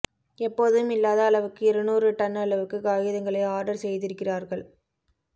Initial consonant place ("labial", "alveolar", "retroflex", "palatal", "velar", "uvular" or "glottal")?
labial